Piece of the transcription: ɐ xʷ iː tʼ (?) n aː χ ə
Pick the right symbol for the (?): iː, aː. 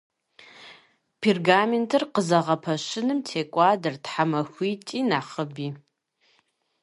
iː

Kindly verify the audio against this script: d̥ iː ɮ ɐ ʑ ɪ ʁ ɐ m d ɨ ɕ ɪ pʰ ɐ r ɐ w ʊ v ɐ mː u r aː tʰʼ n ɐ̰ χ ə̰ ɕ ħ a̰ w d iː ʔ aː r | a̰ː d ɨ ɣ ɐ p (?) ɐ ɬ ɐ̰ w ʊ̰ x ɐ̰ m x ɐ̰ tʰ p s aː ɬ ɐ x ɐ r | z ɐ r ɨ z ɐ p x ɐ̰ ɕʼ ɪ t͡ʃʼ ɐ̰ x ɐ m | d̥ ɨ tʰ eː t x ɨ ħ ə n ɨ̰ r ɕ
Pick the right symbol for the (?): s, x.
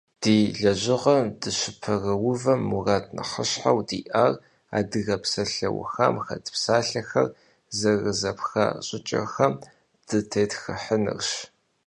s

